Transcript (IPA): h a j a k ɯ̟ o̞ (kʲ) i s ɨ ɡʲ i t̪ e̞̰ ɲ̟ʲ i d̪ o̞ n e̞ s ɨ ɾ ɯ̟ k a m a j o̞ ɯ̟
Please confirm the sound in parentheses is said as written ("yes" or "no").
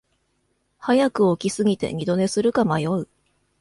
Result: yes